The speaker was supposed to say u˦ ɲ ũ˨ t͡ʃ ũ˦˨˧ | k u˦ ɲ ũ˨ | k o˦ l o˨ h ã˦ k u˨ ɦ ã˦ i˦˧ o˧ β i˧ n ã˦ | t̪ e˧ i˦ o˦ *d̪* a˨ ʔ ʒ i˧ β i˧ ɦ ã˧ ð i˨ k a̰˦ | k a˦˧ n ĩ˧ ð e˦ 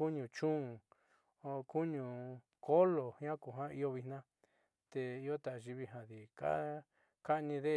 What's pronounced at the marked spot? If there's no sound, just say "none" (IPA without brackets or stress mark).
t̪